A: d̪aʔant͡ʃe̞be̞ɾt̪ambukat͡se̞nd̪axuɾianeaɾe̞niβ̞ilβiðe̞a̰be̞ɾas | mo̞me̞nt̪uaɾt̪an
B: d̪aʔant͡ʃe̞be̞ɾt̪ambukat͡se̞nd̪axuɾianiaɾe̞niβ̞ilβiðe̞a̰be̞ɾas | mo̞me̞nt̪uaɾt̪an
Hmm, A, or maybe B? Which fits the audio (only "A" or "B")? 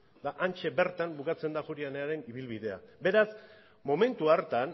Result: A